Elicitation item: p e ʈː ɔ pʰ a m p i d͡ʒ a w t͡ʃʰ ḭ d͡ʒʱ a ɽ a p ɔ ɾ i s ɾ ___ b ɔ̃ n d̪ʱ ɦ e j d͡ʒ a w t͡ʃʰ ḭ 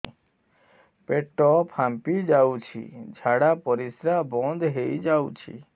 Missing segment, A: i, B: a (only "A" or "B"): B